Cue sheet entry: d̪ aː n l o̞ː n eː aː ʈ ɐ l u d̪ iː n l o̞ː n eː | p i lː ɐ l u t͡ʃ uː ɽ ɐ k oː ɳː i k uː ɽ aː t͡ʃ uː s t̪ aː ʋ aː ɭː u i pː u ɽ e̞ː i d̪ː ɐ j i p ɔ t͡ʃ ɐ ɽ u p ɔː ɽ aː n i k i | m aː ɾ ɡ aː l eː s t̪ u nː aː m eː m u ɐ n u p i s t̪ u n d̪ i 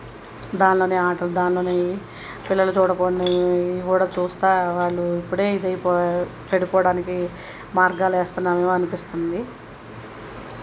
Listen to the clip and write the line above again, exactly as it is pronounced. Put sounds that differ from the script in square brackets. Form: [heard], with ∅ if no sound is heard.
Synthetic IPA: d̪ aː n l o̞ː n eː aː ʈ ɐ l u d̪ [aː] n l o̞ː n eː | p i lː ɐ l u t͡ʃ uː ɽ ɐ k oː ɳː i k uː ɽ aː t͡ʃ uː s t̪ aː ʋ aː ɭː u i pː u ɽ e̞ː i [d̪] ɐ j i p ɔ t͡ʃ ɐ ɽ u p ɔː ɽ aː n i k i | m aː ɾ ɡ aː l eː s t̪ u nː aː m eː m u ɐ n u p i s t̪ u n d̪ i

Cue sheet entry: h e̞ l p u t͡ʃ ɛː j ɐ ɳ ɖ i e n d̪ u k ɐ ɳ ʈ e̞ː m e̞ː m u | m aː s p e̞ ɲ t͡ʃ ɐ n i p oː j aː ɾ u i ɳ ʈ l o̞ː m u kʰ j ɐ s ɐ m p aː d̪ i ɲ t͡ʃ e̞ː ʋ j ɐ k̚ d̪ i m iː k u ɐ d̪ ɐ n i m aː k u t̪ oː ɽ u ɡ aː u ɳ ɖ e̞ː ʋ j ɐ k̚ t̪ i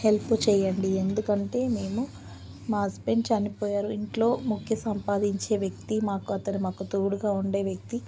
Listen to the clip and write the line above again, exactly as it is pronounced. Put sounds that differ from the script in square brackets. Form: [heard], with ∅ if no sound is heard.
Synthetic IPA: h e̞ l p u t͡ʃ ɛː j ɐ ɳ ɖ i e n d̪ u k ɐ ɳ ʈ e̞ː m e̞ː m u | m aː s p e̞ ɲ t͡ʃ ɐ n i p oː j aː ɾ u i ɳ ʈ l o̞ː m u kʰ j ɐ s ɐ m p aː d̪ i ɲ t͡ʃ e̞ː ʋ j ɐ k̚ [t̪] i m [aː] k u ɐ [t̪] ɐ n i m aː k u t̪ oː ɽ u ɡ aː u ɳ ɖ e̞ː ʋ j ɐ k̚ t̪ i

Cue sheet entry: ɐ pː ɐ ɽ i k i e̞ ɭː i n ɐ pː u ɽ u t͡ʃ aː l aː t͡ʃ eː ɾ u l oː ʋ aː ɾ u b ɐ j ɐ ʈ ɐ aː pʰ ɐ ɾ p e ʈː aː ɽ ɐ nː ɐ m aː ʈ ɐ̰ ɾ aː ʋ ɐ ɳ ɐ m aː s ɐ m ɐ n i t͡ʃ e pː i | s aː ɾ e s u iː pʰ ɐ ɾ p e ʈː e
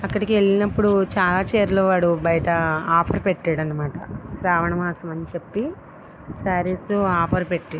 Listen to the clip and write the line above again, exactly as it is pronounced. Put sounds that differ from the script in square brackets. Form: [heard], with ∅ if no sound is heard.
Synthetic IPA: ɐ [kː] ɐ ɽ i k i e̞ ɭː i n ɐ pː u ɽ u t͡ʃ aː l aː t͡ʃ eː ɾ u l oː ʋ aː [ɽ] u b ɐ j ɐ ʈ ɐ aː pʰ ɐ ɾ p e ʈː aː ɽ ɐ nː ɐ m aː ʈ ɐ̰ ɾ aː ʋ ɐ ɳ ɐ m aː s ɐ m ɐ n i t͡ʃ e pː i | s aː ɾ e s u [aː] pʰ ɐ ɾ p e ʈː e

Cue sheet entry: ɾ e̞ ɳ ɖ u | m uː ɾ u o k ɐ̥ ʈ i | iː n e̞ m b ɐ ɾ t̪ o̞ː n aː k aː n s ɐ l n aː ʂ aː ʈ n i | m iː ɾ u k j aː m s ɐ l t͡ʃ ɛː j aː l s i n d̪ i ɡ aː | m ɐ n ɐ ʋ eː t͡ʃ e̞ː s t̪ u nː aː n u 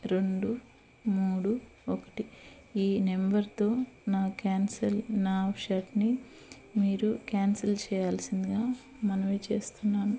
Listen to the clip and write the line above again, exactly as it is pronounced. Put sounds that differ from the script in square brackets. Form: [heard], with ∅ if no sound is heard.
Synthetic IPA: ɾ e̞ ɳ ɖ u | m uː [ɽ] u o k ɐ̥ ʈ i | iː n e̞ m b ɐ ɾ t̪ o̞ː n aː k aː n s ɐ l n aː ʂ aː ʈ n i | m iː ɾ u k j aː [n] s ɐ l t͡ʃ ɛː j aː l s i n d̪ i ɡ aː | m ɐ n ɐ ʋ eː t͡ʃ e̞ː s t̪ u nː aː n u

